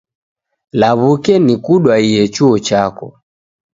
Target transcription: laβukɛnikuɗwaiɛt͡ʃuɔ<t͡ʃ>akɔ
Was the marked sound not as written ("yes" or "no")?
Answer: no